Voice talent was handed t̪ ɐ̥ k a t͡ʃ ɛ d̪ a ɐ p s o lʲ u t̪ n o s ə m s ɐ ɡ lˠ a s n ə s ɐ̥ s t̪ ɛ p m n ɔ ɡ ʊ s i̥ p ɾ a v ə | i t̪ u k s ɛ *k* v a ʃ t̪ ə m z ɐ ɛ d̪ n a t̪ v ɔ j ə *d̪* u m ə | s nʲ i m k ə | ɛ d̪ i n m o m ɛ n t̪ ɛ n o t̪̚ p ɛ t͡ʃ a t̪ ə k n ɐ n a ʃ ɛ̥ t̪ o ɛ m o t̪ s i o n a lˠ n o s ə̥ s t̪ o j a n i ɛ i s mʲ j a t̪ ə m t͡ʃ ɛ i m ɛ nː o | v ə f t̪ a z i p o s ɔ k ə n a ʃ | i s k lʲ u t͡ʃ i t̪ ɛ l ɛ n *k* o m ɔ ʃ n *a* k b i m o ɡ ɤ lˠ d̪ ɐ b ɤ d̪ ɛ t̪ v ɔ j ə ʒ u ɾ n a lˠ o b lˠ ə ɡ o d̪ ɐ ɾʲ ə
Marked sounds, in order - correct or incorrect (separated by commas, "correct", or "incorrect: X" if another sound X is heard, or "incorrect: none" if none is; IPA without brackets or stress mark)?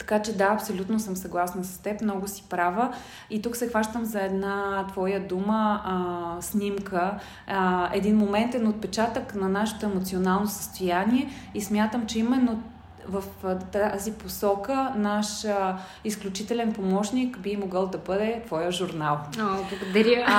incorrect: x, correct, incorrect: p, incorrect: i